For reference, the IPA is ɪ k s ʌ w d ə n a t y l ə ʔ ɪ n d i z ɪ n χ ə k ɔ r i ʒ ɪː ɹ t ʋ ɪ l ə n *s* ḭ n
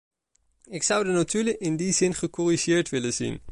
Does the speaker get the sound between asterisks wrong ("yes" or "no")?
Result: yes